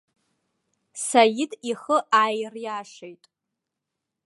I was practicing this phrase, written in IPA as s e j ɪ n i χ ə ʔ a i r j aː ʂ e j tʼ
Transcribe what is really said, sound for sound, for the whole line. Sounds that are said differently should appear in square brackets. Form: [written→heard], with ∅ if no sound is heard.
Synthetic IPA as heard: s [e→a] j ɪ [n→d] i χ ə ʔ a [i→j] r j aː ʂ e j tʼ